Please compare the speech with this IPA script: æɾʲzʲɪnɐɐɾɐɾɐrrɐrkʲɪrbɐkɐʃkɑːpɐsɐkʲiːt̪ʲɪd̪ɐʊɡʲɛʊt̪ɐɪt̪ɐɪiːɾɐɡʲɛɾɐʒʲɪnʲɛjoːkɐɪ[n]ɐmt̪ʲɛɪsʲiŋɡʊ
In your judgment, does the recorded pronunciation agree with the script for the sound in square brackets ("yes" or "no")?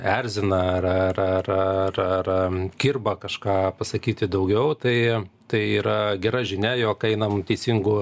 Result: yes